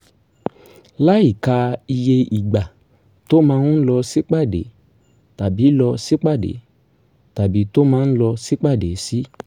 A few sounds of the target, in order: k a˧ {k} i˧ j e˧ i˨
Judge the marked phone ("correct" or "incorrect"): incorrect